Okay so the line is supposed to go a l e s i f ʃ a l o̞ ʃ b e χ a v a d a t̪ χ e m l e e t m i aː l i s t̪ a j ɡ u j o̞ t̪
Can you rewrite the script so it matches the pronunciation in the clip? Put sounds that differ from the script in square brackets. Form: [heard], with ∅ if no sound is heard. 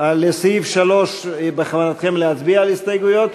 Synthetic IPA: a l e s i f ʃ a l o̞ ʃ b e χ a v a [n] a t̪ χ e m l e [a] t [b] i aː l i s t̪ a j ɡ u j o̞ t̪